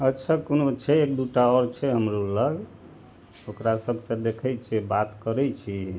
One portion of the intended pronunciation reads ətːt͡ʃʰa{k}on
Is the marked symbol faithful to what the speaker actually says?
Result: yes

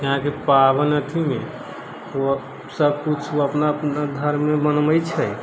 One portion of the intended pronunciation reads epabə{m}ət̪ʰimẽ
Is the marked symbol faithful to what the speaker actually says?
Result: no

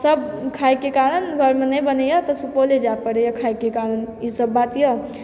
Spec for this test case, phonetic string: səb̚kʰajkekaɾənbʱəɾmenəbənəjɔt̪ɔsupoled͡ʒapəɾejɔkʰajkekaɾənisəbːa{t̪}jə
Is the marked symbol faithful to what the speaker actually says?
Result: yes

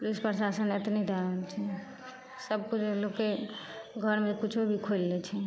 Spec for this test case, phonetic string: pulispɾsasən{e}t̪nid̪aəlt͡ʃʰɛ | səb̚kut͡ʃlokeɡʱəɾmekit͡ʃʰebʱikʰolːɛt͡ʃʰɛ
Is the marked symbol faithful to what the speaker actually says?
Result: yes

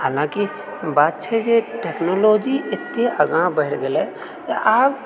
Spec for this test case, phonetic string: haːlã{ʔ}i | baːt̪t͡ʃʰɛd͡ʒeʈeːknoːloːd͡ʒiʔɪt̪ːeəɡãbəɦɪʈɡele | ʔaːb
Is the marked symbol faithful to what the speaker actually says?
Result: no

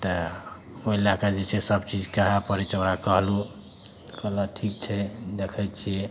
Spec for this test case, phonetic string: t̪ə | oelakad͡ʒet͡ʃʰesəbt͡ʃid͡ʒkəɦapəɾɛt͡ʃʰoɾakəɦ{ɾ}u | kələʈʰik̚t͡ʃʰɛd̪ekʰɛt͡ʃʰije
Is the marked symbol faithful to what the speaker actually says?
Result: no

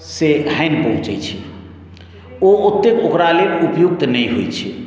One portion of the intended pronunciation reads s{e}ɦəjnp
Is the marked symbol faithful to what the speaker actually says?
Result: yes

